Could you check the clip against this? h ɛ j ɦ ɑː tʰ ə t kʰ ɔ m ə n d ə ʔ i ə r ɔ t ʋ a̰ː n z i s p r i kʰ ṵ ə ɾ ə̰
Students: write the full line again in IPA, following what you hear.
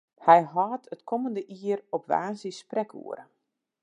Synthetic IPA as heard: h ɛ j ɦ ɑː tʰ ə t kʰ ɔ m ə n d ə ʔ i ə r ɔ p ʋ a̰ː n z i s p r ɛ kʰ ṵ ə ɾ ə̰